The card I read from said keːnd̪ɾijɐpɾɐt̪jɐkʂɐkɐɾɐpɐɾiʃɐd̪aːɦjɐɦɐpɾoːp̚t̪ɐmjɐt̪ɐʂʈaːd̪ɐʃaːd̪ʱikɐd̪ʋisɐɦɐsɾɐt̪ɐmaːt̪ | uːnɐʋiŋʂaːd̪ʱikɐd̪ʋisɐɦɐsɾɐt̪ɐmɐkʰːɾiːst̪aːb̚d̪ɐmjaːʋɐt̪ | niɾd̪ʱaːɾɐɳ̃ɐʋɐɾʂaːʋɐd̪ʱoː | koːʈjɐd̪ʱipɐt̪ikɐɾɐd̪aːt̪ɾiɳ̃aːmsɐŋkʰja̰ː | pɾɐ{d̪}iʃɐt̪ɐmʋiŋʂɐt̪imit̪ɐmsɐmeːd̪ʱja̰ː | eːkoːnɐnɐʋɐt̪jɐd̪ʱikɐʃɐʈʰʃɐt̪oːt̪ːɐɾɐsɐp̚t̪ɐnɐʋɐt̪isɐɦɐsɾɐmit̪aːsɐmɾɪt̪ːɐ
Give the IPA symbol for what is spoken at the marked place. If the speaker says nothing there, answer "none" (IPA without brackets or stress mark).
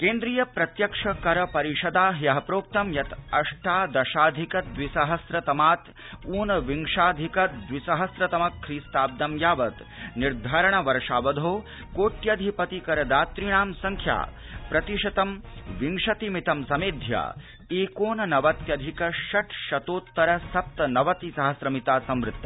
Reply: t̪